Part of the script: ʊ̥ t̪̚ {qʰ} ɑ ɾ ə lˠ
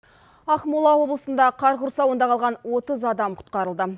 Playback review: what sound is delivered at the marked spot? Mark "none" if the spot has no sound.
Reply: q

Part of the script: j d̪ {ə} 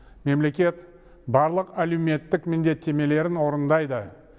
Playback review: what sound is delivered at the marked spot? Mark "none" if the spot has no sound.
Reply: ə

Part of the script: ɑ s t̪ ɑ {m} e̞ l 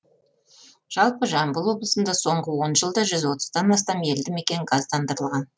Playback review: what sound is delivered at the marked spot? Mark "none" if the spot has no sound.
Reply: m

